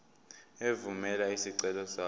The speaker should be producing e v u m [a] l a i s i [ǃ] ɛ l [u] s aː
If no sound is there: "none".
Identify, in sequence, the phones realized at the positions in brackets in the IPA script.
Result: ɛ, ǀ, ɔ

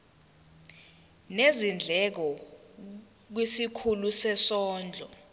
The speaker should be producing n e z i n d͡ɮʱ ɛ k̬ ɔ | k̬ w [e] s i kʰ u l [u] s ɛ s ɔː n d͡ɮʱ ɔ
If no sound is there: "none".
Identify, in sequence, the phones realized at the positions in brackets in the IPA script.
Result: i, u

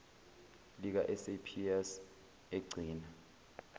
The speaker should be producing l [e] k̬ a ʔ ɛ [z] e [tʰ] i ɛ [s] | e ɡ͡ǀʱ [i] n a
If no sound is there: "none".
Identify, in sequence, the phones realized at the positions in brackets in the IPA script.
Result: i, s, pʰ, s, iː

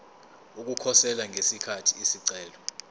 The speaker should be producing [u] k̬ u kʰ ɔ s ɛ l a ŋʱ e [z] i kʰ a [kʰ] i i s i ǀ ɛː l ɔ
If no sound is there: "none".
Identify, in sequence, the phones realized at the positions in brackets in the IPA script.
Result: u, s, tʰ

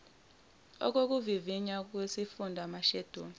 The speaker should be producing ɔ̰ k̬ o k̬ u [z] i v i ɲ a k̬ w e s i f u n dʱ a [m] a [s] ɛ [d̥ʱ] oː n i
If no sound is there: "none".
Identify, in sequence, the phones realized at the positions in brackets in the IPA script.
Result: v, m, ʃ, d̥ʱ

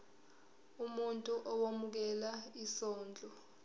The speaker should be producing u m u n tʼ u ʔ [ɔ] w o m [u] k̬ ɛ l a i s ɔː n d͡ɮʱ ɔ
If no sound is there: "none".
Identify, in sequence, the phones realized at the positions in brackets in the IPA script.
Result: ɔ, u

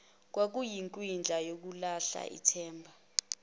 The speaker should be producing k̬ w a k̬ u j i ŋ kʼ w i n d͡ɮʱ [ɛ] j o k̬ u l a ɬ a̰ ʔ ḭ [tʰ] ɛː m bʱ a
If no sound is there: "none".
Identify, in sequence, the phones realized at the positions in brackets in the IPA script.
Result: a, tʰ

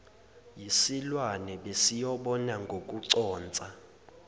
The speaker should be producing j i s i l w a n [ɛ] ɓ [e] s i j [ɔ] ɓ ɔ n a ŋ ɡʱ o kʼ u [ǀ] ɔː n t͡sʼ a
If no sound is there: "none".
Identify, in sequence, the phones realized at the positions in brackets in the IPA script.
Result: ɛ, e, ɔ, ǀ

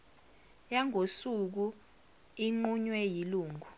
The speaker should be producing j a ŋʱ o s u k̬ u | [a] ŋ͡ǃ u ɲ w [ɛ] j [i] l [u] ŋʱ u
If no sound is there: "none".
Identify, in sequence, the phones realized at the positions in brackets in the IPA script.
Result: i, ɛ, i, uː

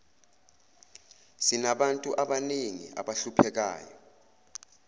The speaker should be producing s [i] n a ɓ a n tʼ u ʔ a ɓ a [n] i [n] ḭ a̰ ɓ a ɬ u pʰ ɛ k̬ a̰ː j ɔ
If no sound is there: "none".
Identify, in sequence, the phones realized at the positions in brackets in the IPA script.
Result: i, n, ŋ

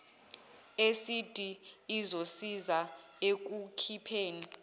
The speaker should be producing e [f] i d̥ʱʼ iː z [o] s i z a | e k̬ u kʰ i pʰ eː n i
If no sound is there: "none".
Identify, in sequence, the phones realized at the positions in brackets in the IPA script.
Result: s, o

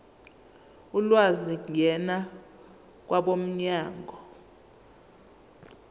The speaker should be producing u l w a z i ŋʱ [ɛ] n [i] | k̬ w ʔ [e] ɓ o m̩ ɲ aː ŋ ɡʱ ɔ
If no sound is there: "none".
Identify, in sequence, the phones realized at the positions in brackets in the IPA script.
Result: ɛ, a, a

